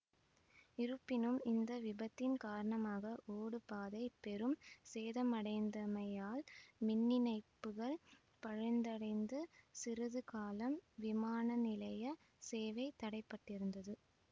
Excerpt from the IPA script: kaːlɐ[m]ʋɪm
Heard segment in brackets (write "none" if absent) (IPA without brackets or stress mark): m